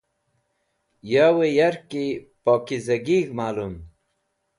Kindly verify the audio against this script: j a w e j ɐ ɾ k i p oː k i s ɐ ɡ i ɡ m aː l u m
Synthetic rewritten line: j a w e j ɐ ɾ k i p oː k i z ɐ ɡ i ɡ m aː l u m